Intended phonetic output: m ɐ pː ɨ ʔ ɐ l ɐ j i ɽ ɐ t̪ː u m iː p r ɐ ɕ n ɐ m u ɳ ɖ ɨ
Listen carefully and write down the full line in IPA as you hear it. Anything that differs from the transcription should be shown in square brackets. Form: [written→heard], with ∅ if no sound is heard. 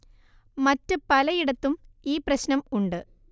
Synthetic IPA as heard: m ɐ [pː→tː] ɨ [ʔ→p] ɐ l ɐ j i ɽ ɐ t̪ː u m iː p r ɐ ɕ n ɐ m u ɳ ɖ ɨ